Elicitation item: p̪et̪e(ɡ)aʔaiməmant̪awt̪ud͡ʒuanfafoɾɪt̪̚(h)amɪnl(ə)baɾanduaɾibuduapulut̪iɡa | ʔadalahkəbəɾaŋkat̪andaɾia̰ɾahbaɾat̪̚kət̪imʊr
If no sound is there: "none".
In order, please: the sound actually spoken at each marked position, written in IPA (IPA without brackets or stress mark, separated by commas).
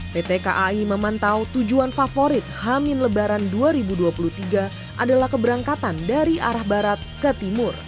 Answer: k, h, ə